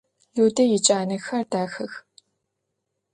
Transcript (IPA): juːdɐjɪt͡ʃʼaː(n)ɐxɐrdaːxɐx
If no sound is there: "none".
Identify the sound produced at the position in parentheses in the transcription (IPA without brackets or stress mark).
n